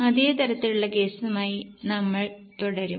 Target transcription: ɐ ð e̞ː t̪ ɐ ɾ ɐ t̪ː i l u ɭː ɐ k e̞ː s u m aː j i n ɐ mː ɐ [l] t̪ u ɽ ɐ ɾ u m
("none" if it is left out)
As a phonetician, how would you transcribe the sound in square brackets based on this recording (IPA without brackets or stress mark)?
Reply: ɭ